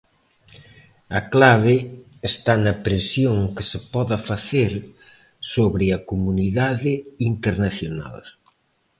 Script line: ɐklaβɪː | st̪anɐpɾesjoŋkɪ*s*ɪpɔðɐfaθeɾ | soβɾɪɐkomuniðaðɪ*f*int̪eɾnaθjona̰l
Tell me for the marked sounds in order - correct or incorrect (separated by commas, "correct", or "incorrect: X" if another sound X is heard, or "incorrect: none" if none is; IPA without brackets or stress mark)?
correct, incorrect: none